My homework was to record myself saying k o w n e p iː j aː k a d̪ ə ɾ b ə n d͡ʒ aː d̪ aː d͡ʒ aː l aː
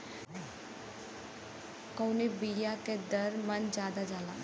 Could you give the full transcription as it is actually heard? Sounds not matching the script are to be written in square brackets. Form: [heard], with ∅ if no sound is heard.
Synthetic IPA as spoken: k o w n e [b] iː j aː k [e] d̪ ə ɾ [m] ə n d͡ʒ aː d̪ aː d͡ʒ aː l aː

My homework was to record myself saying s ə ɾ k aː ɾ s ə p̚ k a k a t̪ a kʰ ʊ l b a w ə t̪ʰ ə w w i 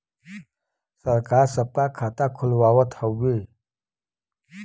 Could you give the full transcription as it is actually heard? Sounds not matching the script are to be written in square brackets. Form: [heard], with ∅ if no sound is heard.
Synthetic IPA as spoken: s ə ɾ k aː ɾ s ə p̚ k a [kʰ] a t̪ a kʰ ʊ l [w] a w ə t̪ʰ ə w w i

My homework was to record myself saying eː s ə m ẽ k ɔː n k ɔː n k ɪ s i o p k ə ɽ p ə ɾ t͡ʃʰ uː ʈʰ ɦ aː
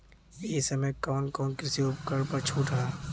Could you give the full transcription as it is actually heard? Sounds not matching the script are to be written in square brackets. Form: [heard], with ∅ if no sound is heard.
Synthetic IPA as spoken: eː s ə m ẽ k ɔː n k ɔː n k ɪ s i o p k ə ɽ p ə ɾ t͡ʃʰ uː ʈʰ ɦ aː

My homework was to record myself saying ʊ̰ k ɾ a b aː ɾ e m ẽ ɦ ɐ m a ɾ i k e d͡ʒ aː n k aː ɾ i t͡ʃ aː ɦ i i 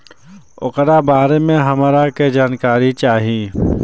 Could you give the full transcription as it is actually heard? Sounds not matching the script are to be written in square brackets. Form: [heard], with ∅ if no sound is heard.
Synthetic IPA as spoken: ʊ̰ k ɾ a b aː ɾ e m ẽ ɦ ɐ m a ɾ [a] k e d͡ʒ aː n k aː ɾ i t͡ʃ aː ɦ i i

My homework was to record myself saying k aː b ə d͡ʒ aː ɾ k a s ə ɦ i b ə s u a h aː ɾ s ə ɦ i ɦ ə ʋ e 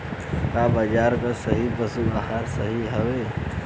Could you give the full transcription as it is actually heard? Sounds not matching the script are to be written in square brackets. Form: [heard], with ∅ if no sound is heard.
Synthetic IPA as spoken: k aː b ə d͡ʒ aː ɾ k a s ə ɦ i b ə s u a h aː ɾ s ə ɦ i ɦ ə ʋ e

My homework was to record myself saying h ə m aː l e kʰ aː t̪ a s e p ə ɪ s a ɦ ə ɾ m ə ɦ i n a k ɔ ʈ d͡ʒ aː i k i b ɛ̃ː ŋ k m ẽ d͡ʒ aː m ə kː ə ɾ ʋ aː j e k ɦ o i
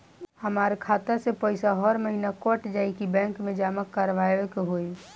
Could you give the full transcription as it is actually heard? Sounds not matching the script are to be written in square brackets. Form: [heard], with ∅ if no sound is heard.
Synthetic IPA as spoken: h ə m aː [ɾ] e kʰ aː t̪ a s e p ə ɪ s a ɦ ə ɾ m ə ɦ i n a k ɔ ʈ d͡ʒ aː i k i b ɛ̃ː ŋ k m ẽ d͡ʒ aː m ə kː ə ɾ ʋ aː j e k ɦ o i

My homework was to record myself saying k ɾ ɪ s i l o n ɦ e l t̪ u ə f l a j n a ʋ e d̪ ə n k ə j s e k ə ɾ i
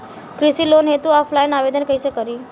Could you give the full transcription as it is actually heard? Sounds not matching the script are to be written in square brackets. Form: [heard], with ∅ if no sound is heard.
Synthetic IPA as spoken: k ɾ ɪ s i l o n ɦ e [∅] t̪ u [a] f l a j n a ʋ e d̪ ə n k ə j s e k ə ɾ i

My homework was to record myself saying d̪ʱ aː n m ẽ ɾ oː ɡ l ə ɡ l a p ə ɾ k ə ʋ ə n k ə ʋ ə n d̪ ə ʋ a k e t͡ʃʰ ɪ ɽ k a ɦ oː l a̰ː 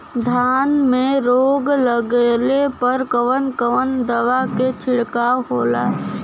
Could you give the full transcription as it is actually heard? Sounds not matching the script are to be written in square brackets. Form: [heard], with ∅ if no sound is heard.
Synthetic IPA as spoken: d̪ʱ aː n m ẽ ɾ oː ɡ l ə ɡ l [e] p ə ɾ k ə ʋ ə n k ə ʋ ə n d̪ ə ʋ a k e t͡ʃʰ ɪ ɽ k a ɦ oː l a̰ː

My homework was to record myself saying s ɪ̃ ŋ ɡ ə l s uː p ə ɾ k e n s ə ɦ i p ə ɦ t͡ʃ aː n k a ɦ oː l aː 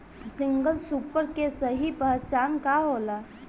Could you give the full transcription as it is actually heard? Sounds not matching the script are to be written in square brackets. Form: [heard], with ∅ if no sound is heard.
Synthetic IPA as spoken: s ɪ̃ ŋ ɡ ə l s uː p ə ɾ k e [∅] s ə ɦ i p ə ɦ t͡ʃ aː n k a ɦ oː l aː

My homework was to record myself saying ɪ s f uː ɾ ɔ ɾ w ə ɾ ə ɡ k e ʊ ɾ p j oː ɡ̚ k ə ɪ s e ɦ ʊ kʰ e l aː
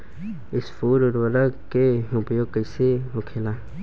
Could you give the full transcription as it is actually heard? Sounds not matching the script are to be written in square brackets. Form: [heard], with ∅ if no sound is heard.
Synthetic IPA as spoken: ɪ s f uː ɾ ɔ ɾ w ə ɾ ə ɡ k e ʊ [∅] p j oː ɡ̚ k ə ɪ s e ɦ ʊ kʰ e l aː

